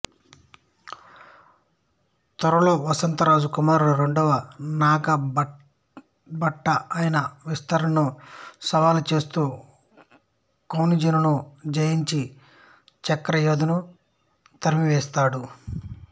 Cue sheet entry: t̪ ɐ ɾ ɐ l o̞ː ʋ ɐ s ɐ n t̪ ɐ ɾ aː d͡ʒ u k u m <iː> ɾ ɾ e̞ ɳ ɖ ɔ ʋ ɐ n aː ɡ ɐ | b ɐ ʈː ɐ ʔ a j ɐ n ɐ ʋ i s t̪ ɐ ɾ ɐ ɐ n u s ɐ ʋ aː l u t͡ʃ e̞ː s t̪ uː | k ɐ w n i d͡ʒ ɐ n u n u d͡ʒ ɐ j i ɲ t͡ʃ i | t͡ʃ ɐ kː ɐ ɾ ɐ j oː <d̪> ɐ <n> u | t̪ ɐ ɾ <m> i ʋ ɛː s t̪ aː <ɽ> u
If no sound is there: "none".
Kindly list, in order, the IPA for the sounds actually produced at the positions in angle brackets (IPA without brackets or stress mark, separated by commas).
aː, d̪, n, m, ɽ